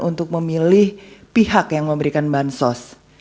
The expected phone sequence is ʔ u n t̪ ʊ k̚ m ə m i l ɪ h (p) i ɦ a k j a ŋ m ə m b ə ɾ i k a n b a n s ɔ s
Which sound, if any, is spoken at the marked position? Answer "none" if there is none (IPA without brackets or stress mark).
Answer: p